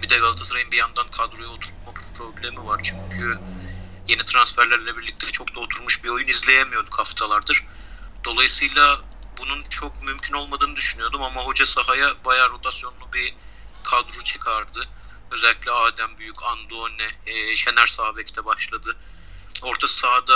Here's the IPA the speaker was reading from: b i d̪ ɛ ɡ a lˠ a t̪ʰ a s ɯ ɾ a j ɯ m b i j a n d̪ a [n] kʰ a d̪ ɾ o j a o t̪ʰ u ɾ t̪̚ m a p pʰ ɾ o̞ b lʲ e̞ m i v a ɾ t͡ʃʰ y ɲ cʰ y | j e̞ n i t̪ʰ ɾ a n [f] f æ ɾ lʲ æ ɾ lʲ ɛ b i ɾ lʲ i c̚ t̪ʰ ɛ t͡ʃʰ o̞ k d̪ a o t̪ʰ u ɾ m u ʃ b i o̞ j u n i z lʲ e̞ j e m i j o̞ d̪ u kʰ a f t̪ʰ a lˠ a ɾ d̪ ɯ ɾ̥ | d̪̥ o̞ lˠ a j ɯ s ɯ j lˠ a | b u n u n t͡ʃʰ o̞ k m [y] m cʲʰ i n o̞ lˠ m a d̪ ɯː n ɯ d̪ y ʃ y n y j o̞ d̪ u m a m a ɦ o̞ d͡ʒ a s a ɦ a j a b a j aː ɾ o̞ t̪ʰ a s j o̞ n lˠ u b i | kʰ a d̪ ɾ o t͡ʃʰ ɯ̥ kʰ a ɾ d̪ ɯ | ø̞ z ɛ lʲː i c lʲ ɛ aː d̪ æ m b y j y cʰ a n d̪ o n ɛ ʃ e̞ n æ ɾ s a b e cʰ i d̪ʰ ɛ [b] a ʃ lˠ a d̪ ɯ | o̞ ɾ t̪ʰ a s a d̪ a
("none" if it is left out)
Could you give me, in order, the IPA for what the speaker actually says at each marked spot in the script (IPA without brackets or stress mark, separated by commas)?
n, s, y, b